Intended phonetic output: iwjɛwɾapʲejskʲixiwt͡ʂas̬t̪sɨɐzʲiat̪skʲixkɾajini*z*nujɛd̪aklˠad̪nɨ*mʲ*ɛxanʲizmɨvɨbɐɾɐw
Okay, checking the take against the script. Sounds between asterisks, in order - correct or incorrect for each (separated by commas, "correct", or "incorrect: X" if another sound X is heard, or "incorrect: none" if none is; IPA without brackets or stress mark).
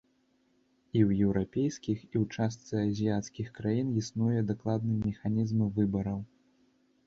incorrect: s, correct